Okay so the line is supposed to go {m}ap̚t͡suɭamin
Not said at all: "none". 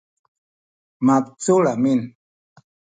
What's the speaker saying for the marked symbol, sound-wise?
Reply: m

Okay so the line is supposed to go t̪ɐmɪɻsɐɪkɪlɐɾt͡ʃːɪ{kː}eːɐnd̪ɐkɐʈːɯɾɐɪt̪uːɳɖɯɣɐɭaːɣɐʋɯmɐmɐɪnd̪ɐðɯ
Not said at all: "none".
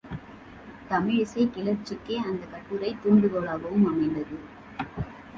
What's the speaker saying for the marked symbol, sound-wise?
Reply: kː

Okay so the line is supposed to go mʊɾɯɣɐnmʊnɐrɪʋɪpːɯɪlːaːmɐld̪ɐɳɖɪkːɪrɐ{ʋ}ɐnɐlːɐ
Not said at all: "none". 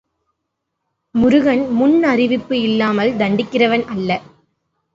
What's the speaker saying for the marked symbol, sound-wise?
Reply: ʋ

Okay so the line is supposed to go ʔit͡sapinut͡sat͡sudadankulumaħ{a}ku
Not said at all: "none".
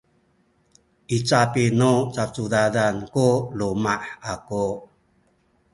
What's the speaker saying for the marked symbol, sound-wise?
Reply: a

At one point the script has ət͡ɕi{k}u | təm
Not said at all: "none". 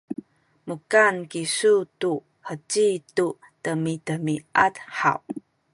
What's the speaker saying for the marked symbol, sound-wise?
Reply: t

